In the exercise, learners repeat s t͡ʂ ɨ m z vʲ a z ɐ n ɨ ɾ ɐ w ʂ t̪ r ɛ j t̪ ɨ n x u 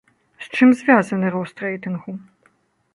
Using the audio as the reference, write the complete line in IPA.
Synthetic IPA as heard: s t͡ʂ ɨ m z vʲ a z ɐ n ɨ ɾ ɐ w s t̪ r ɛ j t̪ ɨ n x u

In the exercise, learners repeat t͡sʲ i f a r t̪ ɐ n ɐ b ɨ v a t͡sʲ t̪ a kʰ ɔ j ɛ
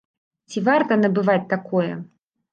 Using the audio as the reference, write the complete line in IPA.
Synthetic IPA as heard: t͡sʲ i v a r t̪ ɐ n ɐ b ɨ v a t͡sʲ t̪ a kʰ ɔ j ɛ

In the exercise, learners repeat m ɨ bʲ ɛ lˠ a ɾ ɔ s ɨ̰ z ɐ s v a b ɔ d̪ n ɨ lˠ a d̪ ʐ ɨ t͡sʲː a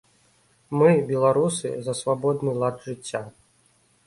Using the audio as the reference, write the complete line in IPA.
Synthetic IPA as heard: m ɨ bʲ ɛ lˠ a ɾ u s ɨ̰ z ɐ s v a b ɔ d̪ n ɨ lˠ a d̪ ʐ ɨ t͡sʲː a

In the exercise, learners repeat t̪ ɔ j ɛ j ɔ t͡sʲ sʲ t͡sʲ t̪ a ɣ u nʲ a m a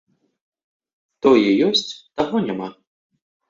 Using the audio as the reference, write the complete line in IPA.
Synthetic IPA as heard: t̪ ɔ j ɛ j ɔ sʲ t͡sʲ t̪ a ɣ ɔ nʲ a m a

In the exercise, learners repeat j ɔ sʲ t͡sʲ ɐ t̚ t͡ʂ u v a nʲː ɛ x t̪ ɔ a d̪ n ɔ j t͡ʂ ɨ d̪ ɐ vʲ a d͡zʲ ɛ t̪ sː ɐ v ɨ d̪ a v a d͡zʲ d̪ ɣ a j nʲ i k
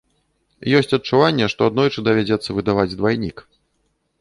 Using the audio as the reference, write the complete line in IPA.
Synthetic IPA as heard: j ɔ sʲ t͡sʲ ɐ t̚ t͡ʂ u v a nʲː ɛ ʂ t̪ ɔ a d̪ n ɔ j t͡ʂ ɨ d̪ ɐ vʲ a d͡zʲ ɛ t̪ sː ɐ v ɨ d̪ a v a d͡zʲ d̪ v a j nʲ i k

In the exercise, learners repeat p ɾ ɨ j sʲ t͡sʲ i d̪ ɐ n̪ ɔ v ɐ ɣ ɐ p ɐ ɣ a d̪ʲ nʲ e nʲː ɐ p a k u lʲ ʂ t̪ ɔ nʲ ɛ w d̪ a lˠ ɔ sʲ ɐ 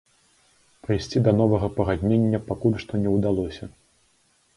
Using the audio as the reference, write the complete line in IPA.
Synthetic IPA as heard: p ɾ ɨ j sʲ t͡sʲ i d̪ ɐ n̪ ɔ v ɐ ɣ ɐ p ɐ ɣ a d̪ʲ nʲ e nʲː ɐ p a k u lʲ ʂ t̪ ɔ nʲ ɛ w d̪ a lˠ ɔ sʲ ɐ

